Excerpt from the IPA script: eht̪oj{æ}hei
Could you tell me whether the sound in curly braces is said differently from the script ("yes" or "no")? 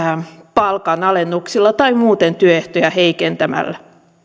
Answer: no